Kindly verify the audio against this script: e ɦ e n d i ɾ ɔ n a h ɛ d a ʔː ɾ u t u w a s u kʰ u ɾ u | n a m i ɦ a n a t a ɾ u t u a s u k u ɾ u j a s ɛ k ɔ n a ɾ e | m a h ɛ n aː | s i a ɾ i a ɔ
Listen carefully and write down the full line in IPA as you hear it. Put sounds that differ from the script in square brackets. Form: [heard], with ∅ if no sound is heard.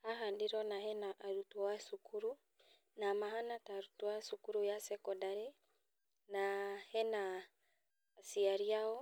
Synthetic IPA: [a] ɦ [a] n d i ɾ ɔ n a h ɛ [n] a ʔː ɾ u t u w a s u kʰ u ɾ u | n a m [a] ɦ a n a t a ɾ u t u a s u k u ɾ u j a s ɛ k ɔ [d] a ɾ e | [n] a h ɛ n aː | s i a ɾ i a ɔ